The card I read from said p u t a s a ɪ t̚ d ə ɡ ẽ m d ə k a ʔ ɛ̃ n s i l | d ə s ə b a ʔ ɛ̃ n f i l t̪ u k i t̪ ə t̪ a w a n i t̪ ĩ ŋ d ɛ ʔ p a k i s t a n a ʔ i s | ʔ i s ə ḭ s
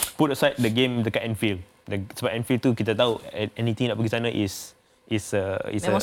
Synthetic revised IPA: p u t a s a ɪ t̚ d ə ɡ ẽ m d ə k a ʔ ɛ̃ n f i l | d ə s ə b a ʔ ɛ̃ n f i l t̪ u k i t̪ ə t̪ a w ɛ n i t̪ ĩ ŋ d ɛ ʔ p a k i s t a n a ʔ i s | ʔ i s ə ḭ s